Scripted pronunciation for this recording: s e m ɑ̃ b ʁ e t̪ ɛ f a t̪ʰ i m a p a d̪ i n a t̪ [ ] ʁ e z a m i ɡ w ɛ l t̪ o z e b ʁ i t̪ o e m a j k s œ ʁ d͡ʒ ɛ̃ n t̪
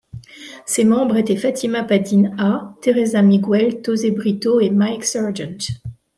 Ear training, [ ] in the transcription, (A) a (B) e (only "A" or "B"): B